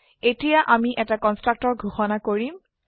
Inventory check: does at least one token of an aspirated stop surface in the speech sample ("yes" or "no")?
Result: no